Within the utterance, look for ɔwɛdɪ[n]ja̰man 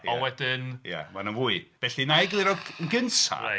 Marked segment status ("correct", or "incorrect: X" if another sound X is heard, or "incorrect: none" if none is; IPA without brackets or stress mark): correct